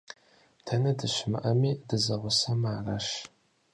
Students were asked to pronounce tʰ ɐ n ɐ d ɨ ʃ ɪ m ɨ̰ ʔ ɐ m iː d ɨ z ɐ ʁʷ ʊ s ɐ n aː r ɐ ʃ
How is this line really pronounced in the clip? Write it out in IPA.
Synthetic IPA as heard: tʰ ɐ n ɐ d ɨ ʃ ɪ m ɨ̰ ʔ ɐ m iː d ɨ z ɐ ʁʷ ʊ s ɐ m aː r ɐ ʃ